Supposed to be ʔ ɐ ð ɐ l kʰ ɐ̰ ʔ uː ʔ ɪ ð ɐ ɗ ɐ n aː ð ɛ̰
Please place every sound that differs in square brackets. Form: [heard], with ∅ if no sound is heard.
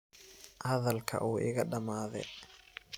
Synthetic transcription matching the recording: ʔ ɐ ð ɐ l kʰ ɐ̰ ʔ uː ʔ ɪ [ɣ] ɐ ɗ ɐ [m] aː ð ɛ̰